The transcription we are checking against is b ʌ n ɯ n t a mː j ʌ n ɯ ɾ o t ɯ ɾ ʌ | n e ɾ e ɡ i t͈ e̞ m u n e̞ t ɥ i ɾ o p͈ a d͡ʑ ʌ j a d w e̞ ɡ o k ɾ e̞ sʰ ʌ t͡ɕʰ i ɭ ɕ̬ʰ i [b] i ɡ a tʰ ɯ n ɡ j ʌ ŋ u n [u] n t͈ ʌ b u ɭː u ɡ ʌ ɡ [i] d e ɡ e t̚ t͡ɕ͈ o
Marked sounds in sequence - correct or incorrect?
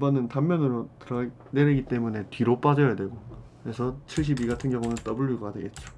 correct, incorrect: ɯ, incorrect: a

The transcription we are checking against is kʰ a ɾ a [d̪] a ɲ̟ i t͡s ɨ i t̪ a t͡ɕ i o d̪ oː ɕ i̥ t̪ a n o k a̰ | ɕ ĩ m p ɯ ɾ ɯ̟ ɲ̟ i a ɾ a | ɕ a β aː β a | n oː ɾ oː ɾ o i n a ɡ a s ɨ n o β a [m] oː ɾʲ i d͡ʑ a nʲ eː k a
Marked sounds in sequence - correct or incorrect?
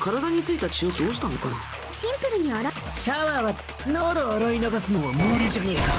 correct, correct

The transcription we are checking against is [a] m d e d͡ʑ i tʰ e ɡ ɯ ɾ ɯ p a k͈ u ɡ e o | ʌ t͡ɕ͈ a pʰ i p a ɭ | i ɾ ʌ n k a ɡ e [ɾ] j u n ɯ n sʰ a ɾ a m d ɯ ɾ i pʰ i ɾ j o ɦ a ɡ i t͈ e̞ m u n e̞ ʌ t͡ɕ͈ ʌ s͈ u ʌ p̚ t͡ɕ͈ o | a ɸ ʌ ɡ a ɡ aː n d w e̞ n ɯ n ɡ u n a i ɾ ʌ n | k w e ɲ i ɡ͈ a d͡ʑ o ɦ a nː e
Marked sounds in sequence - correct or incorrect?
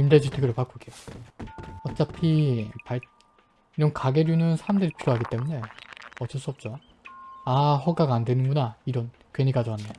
incorrect: i, correct

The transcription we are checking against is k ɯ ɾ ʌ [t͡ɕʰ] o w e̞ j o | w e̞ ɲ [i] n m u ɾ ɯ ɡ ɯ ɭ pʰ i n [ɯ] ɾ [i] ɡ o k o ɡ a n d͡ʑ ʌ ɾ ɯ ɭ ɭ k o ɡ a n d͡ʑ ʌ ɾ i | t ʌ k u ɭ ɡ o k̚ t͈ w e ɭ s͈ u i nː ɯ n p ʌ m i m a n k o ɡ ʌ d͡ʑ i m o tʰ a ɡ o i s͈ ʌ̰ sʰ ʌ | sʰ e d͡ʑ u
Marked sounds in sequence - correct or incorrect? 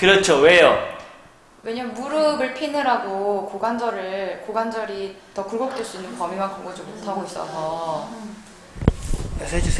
correct, incorrect: a, correct, incorrect: a

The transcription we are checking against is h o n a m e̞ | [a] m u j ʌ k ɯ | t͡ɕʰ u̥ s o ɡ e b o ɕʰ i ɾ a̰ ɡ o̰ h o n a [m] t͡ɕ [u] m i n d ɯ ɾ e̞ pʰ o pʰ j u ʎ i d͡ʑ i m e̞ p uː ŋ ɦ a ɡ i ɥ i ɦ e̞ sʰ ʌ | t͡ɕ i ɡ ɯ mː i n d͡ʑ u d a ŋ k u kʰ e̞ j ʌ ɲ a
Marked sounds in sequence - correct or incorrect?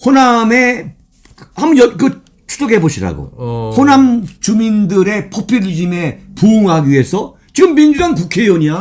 correct, correct, correct

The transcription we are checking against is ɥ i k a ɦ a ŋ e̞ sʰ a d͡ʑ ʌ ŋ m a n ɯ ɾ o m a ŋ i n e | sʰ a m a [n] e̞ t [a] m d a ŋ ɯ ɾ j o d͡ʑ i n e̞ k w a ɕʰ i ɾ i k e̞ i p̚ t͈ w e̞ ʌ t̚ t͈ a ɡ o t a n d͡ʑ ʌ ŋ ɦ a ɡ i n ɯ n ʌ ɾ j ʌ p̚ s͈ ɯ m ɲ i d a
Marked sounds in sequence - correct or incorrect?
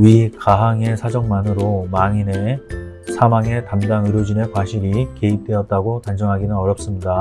incorrect: ŋ, correct

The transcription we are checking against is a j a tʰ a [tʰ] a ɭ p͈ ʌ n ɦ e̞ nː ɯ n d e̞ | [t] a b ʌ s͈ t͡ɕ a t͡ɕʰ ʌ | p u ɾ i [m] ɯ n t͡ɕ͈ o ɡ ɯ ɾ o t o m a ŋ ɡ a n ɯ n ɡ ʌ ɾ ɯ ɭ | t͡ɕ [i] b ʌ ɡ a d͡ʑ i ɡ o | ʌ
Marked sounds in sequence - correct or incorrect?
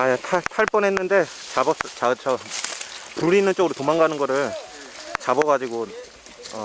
correct, incorrect: t͡ɕ, incorrect: n, incorrect: a

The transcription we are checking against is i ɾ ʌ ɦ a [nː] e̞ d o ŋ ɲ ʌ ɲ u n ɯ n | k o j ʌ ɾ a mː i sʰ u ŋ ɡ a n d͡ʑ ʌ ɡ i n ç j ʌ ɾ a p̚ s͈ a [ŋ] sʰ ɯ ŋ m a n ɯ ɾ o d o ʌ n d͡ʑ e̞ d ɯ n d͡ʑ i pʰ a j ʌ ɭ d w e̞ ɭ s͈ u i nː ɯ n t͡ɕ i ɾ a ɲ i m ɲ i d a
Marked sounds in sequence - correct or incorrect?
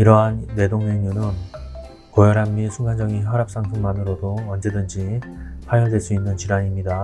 correct, correct

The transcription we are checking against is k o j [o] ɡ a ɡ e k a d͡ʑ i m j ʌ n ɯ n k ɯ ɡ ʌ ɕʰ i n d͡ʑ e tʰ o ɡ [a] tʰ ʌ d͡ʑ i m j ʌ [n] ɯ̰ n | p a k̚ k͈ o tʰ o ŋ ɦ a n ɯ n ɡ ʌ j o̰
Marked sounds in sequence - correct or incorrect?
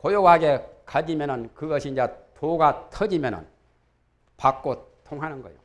correct, correct, correct

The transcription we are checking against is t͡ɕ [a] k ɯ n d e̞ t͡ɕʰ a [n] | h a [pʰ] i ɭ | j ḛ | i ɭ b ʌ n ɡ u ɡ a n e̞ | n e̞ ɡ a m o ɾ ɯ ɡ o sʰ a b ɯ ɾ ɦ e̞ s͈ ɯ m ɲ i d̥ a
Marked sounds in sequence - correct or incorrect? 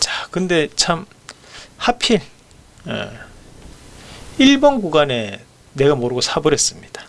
correct, incorrect: m, correct

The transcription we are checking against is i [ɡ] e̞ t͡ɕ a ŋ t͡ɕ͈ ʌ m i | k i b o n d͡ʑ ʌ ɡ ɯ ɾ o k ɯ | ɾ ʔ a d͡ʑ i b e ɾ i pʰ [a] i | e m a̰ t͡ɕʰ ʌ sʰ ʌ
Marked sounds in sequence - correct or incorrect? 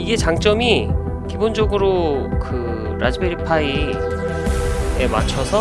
correct, correct

